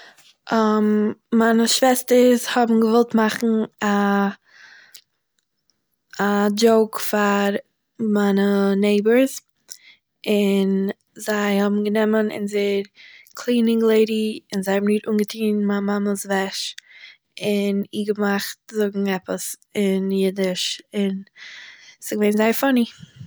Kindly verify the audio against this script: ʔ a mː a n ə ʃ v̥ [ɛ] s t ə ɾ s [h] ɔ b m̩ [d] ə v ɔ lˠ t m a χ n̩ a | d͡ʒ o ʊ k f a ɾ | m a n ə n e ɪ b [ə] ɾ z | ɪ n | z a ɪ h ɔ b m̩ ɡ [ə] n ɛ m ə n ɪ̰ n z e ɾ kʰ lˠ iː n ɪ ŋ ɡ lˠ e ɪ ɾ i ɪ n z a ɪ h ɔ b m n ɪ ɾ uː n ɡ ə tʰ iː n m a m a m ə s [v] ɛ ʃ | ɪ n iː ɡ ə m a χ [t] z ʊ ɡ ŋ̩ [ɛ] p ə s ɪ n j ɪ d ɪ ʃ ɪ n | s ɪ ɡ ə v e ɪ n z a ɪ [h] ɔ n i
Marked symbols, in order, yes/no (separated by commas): yes, yes, no, yes, yes, yes, yes, yes, no